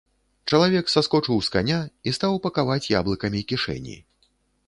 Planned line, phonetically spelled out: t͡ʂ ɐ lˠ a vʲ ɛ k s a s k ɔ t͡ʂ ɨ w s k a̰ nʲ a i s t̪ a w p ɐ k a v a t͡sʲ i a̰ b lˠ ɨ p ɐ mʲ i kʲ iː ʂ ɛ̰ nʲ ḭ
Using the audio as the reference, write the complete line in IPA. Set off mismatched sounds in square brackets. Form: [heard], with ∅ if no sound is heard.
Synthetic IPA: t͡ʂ ɐ lˠ a vʲ ɛ k s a s k ɔ t͡ʂ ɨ w s k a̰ nʲ a i s t̪ a w p ɐ k a v a t͡sʲ [j] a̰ b lˠ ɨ [k] ɐ mʲ i kʲ [i] ʂ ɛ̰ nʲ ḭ